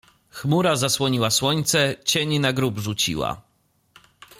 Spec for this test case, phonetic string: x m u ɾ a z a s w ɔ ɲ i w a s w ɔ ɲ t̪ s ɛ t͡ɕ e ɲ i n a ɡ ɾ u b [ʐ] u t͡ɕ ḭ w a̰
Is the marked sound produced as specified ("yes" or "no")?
yes